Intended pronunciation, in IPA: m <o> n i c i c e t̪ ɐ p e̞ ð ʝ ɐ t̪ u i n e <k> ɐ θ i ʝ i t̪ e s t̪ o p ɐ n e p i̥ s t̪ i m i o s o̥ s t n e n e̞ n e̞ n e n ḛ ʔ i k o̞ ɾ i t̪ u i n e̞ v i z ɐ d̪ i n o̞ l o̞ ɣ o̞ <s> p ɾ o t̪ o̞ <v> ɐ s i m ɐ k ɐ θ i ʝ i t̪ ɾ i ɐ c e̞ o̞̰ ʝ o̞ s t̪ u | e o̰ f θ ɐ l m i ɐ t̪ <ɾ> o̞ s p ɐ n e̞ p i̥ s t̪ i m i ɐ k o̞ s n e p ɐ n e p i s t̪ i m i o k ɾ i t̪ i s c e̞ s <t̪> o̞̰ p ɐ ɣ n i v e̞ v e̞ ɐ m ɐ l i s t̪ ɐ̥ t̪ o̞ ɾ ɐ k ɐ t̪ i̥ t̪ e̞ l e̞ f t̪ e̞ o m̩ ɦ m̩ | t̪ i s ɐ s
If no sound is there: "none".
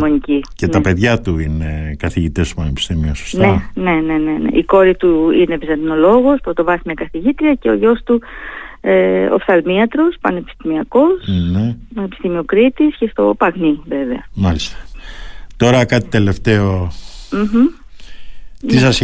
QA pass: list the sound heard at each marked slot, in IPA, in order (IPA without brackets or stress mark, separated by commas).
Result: o, k, s, v, ɾ, t̪